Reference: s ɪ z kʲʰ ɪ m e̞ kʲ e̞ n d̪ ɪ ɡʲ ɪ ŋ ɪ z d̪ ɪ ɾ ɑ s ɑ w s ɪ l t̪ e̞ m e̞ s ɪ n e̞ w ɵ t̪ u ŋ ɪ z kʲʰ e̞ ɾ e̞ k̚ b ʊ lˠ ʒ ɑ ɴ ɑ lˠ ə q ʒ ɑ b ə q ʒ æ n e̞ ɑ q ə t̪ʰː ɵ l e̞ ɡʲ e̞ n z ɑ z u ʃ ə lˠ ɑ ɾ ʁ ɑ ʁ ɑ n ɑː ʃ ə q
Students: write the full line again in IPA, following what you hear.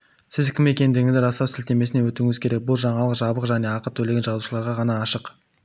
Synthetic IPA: s ɪ z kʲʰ ɪ m e̞ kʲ e̞ n d̪ ɪ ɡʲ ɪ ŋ ɪ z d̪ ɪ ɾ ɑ s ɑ w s ɪ l t̪ e̞ m e̞ s ɪ n e̞ w ɵ t̪ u ŋ ɪ z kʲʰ e̞ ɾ e̞ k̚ b ʊ lˠ ʒ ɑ ɴ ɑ lˠ ə q ʒ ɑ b ə q ʒ æ n e̞ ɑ q ə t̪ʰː ɵ l e̞ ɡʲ e̞ n ʒ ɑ z u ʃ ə lˠ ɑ ɾ ʁ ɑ ʁ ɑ n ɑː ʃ ə q